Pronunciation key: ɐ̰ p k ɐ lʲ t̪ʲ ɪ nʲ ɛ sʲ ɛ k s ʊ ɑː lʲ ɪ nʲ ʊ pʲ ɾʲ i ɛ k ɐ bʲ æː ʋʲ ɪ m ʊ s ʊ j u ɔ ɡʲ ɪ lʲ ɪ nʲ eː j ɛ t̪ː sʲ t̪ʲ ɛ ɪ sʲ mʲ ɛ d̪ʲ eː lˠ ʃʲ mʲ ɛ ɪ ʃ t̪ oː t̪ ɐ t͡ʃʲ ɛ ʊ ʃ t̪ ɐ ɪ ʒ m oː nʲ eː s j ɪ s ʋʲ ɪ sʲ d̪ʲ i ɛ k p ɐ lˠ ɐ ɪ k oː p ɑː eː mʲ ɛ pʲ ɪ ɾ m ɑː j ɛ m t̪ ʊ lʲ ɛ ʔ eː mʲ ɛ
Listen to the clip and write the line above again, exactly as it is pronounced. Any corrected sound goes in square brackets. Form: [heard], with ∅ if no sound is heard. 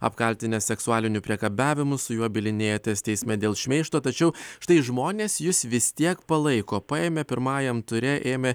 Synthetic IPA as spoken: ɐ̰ p k ɐ lʲ t̪ʲ ɪ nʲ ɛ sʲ ɛ k s ʊ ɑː lʲ ɪ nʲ ʊ pʲ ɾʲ i ɛ k ɐ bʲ æː ʋʲ ɪ m ʊ s ʊ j u ɔ [bʲ] ɪ lʲ ɪ nʲ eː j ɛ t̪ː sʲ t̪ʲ ɛ ɪ sʲ mʲ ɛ d̪ʲ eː lˠ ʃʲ mʲ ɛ ɪ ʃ t̪ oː t̪ ɐ t͡ʃʲ ɛ ʊ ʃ t̪ ɐ ɪ ʒ m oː nʲ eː s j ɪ s ʋʲ ɪ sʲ [t̪ʲ] i ɛ k p ɐ lˠ ɐ ɪ k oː p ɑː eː mʲ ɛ pʲ ɪ ɾ m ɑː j ɛ m t̪ ʊ [ɾʲ] ɛ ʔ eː mʲ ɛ